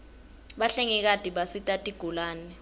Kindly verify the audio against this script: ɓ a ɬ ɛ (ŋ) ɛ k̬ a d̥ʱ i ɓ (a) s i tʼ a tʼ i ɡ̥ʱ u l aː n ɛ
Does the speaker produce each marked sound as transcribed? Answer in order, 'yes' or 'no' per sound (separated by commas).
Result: yes, yes